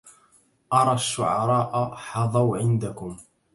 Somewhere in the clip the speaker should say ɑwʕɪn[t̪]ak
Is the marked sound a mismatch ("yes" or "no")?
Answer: yes